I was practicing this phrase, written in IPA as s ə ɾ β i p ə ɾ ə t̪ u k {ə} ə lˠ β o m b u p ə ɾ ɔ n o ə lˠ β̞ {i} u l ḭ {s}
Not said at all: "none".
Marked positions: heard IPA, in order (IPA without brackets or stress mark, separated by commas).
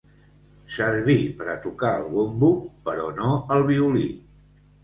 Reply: a, i, none